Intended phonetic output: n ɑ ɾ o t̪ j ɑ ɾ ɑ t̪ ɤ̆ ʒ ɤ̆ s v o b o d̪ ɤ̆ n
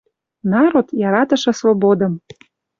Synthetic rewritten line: n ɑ ɾ o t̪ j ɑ ɾ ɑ t̪ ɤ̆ ʃ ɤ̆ s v o b o d̪ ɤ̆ m